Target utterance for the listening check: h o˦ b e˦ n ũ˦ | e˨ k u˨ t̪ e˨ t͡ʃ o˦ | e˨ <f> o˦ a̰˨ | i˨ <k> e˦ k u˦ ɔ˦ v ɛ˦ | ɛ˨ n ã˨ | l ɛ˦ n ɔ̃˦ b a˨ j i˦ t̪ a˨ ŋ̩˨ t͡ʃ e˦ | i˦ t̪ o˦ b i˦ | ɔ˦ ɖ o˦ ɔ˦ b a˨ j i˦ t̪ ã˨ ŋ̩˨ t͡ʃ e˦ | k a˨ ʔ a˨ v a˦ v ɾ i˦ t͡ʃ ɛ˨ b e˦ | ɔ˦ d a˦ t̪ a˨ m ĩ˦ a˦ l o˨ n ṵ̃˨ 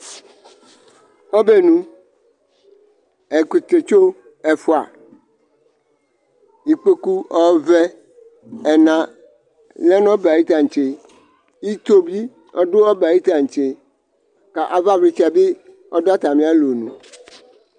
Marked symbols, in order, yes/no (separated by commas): yes, no